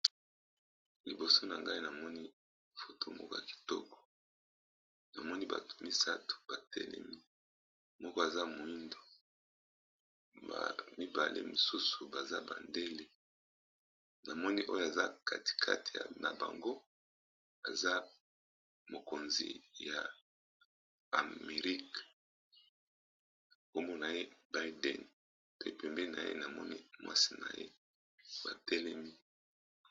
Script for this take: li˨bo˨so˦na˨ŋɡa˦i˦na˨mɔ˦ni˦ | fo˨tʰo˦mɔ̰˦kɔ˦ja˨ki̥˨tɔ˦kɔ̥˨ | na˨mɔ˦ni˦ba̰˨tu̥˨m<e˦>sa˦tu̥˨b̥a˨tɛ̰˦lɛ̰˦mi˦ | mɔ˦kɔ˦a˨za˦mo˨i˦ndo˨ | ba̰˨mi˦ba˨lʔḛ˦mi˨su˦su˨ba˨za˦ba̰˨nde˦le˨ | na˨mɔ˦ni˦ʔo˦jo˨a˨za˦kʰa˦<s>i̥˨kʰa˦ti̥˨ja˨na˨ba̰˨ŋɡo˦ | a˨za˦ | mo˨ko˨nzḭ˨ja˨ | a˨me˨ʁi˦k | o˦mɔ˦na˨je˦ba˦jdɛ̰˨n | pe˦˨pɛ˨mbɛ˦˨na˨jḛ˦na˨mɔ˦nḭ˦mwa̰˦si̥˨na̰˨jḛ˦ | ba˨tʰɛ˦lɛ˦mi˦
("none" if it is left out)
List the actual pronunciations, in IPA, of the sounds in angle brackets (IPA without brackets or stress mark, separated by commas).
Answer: i˦, t